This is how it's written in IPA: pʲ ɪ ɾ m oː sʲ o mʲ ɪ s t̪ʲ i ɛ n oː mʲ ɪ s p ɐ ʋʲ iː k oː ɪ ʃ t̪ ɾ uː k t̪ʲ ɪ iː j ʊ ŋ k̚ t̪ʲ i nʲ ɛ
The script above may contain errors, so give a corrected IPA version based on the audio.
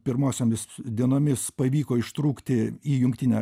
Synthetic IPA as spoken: pʲ ɪ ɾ m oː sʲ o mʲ ɪ s d̪ʲ i ɛ n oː mʲ ɪ s p ɐ ʋʲ iː k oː ɪ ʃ t̪ ɾ uː k t̪ʲ ɪ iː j ʊ ŋ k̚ t̪ʲ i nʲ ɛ

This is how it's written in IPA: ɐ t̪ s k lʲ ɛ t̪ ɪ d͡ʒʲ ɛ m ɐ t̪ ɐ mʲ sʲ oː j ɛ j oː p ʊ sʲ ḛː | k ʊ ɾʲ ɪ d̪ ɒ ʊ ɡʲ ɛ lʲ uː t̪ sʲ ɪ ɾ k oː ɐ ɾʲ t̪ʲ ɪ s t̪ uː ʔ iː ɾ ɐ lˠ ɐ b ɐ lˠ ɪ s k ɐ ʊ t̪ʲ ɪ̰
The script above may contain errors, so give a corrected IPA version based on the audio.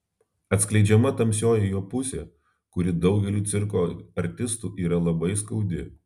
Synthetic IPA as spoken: ɐ t̪ s k lʲ ɛ ɪ d͡ʒʲ ɛ m ɐ t̪ ɐ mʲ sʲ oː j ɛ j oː p ʊ sʲ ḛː | k ʊ ɾʲ ɪ d̪ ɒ ʊ ɡʲ ɛ lʲ uː t̪ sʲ ɪ ɾ k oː ɐ ɾʲ t̪ʲ ɪ s t̪ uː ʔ iː ɾ ɐ lˠ ɐ b ɐ ɪ s k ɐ ʊ d̪ʲ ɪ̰

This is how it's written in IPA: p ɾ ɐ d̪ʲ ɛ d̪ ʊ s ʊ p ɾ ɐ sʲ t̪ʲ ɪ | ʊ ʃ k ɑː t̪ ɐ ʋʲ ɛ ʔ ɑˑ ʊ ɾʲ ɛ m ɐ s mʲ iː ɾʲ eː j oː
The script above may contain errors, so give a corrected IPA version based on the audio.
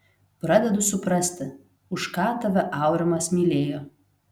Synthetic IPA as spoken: p ɾ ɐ d̪ʲ ɛ d̪ ʊ s ʊ p ɾ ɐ sʲ t̪ʲ ɪ | ʊ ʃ k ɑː t̪ ɐ ʋʲ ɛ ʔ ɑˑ ʊ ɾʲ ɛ m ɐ s mʲ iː lʲ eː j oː

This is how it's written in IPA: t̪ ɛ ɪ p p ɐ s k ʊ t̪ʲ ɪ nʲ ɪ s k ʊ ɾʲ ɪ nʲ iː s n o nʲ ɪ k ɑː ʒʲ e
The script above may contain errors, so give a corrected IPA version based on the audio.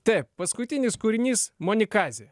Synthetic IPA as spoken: t̪ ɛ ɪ p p ɐ s k ʊ t̪ʲ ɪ nʲ ɪ s k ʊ ɾʲ ɪ nʲ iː s m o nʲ ɪ k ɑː zʲ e

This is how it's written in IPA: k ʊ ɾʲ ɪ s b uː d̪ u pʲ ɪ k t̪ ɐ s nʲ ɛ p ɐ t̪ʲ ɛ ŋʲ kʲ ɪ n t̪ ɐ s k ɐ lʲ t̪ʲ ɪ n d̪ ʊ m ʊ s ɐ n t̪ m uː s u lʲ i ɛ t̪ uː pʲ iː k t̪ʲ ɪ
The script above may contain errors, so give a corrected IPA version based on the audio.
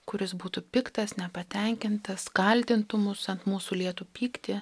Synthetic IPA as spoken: k ʊ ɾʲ ɪ s b uː t̪ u pʲ ɪ k t̪ ɐ s nʲ ɛ p ɐ t̪ʲ ɛ ŋʲ kʲ ɪ n t̪ ɐ s k ɐ lʲ t̪ʲ ɪ n t̪ ʊ m ʊ s ɐ n t̪ m uː s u lʲ i ɛ t̪ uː pʲ iː k t̪ʲ ɪ

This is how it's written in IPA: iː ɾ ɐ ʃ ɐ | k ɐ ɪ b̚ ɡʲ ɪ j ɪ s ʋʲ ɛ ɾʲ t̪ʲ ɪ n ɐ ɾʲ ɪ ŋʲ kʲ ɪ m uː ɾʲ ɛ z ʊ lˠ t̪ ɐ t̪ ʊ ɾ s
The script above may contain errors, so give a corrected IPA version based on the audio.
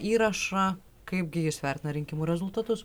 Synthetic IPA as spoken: iː ɾ ɐ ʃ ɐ | k ɐ ɪ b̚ ɡʲ ɪ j ɪ s ʋʲ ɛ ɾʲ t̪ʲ ɪ n ɐ ɾʲ ɪ ŋʲ kʲ ɪ m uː ɾʲ ɛ z ʊ lˠ t̪ ɐ t̪ ʊ s

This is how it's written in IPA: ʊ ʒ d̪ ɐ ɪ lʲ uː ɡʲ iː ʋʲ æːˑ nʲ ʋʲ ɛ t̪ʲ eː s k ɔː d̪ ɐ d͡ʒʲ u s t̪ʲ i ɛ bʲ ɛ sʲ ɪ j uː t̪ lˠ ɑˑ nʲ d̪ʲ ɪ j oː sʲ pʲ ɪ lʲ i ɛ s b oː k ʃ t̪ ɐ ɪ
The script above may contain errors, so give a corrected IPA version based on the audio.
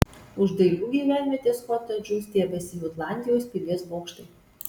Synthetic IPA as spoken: ʊ ʒ d̪ ɐ ɪ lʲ uː ɡʲ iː ʋʲ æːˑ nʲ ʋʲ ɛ t̪ʲ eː s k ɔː t̪ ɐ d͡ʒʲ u s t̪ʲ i ɛ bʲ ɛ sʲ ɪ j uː t̪ lˠ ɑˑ nʲ d̪ʲ ɪ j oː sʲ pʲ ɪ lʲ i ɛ s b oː k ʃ t̪ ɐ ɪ

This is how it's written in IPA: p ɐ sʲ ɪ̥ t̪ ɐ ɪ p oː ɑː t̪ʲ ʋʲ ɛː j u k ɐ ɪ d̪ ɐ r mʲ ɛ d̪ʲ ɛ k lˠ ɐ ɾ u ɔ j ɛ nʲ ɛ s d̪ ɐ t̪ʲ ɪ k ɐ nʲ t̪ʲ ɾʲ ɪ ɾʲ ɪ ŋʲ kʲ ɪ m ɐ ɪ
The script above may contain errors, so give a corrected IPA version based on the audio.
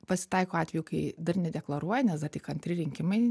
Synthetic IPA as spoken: p ɐ sʲ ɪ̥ t̪ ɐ ɪ k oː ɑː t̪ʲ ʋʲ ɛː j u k ɐ ɪ d̪ ɐ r nʲ ɛ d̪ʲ ɛ k lˠ ɐ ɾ u ɔ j ɛ nʲ ɛ s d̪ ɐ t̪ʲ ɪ k ɐ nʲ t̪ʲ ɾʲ ɪ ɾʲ ɪ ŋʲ kʲ ɪ m ɐ ɪ

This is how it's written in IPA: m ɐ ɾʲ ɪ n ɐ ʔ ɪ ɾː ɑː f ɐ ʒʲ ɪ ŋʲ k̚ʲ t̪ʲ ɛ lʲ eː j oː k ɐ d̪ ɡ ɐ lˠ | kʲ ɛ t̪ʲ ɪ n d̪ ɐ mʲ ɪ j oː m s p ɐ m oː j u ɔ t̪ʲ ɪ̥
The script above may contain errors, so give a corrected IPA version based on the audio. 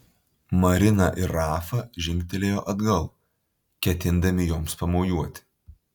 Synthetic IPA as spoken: m ɐ ɾʲ ɪ n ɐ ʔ ɪ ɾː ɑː f ɐ ʒʲ ɪ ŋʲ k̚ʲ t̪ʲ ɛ lʲ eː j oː ʔ ɐ d̪ ɡ ɐ lˠ | kʲ ɛ t̪ʲ ɪ n d̪ ɐ mʲ ɪ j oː m s p ɐ m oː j u ɔ t̪ʲ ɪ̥

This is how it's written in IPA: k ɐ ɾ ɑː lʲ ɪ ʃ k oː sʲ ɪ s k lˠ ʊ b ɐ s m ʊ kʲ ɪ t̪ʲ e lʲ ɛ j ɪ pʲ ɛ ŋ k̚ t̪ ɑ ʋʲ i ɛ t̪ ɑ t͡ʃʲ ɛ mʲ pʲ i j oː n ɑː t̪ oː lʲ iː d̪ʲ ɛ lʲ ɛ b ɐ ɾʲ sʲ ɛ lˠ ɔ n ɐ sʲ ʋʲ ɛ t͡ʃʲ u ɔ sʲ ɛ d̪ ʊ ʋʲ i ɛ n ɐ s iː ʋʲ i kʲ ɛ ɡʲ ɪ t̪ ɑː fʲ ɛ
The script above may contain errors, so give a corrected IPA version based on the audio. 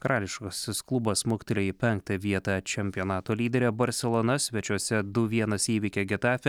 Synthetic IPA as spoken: k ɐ ɾ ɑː lʲ ɪ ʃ k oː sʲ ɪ s k lˠ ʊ b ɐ s m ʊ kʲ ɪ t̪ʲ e lʲ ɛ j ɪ pʲ ɛ ŋ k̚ t̪ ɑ ʋʲ i ɛ t̪ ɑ t͡ʃʲ ɛ mʲ pʲ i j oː n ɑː t̪ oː lʲ iː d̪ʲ ɛ ɾʲ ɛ b ɐ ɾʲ sʲ ɛ lˠ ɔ n ɐ sʲ ʋʲ ɛ t͡ʃʲ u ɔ sʲ ɛ d̪ ʊ ʋʲ i ɛ n ɐ s iː ʋʲ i kʲ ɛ ɡʲ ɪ t̪ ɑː fʲ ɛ

